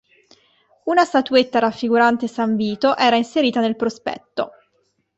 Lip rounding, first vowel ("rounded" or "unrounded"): rounded